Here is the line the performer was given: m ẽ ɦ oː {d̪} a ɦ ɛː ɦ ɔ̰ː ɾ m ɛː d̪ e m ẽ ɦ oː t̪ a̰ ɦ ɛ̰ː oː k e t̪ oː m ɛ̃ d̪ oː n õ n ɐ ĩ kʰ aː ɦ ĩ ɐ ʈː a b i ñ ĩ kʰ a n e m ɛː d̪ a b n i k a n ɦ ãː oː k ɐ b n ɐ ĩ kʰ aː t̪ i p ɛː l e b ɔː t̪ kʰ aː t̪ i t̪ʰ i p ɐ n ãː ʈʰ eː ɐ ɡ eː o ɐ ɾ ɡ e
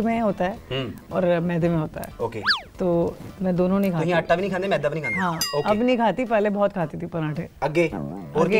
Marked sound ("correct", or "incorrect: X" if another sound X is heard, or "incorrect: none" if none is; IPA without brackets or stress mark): incorrect: t̪